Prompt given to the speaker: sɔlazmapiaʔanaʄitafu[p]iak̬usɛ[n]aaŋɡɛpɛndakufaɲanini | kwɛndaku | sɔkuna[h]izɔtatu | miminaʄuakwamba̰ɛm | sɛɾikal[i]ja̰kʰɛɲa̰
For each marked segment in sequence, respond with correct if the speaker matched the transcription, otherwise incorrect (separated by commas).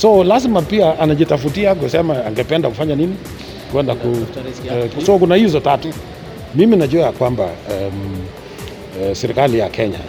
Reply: incorrect, incorrect, correct, correct